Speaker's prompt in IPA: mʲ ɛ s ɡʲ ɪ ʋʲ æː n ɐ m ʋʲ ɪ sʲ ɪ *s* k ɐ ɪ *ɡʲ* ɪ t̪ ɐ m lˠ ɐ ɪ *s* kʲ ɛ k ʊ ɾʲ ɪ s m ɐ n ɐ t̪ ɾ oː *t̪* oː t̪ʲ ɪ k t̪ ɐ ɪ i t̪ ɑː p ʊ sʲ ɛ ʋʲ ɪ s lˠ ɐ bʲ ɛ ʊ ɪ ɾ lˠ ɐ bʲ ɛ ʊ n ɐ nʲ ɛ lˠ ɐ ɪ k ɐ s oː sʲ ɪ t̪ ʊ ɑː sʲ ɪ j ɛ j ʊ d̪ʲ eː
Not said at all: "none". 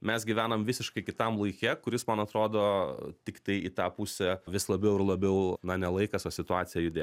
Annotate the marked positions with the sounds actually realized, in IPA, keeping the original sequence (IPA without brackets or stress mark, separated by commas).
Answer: ʃ, kʲ, none, d̪